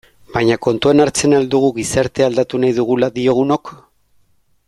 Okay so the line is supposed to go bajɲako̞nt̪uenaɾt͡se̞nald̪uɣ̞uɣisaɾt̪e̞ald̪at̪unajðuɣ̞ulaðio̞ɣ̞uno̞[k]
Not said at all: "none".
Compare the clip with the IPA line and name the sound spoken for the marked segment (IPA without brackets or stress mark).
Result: k